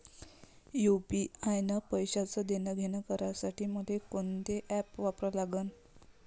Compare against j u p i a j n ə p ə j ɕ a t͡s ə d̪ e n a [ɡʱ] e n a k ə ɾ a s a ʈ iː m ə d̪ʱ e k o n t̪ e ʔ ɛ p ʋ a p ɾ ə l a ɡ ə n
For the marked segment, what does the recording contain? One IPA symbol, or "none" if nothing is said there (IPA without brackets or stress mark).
ɡʱ